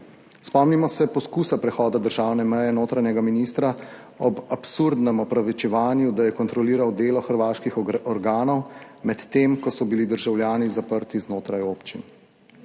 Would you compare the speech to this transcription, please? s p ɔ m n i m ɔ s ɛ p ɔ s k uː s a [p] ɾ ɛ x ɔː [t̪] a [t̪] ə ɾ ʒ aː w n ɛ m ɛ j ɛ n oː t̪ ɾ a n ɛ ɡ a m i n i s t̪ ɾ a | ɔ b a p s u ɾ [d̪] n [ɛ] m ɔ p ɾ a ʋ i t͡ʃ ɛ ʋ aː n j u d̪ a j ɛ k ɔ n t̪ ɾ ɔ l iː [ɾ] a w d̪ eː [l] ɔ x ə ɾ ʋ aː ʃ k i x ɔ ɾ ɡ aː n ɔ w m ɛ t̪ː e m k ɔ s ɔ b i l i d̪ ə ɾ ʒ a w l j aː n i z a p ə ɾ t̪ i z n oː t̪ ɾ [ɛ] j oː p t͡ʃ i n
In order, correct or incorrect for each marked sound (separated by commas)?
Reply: correct, incorrect, incorrect, correct, correct, correct, correct, incorrect